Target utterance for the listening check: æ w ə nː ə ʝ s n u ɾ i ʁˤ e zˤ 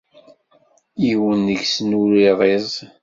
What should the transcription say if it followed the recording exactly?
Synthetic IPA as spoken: i w ə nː ə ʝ s n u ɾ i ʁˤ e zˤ